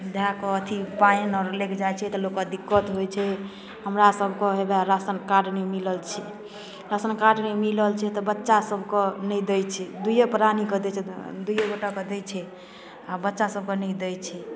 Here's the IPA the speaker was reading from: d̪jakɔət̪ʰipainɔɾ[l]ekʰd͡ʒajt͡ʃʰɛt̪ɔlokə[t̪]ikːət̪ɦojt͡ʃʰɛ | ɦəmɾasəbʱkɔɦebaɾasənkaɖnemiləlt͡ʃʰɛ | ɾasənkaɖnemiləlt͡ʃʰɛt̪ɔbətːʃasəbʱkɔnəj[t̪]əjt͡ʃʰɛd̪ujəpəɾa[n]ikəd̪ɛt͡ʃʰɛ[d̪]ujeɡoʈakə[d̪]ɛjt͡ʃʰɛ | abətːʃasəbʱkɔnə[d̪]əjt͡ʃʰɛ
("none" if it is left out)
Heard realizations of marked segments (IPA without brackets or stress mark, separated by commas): l, d̪, d̪, n, d̪, d̪, d̪